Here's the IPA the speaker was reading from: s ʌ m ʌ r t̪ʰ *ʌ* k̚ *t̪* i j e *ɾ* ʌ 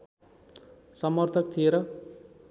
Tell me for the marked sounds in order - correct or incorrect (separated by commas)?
correct, incorrect, correct